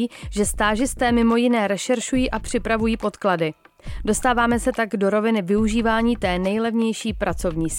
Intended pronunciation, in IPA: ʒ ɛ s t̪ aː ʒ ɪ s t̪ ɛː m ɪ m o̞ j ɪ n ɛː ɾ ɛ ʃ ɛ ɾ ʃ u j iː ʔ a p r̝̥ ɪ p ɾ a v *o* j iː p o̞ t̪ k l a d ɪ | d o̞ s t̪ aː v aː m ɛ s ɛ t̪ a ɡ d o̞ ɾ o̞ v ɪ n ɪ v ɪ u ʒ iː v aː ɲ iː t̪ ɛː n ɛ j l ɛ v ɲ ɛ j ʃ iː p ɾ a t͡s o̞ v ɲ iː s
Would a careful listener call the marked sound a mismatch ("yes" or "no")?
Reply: yes